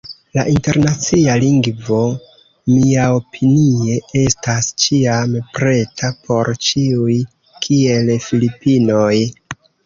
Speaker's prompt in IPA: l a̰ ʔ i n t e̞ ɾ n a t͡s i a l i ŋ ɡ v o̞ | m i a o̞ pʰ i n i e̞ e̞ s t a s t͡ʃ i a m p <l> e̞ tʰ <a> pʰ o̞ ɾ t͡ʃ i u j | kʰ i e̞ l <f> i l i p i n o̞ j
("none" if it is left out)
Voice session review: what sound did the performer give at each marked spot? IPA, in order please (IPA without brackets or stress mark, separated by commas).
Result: ɾ, a, f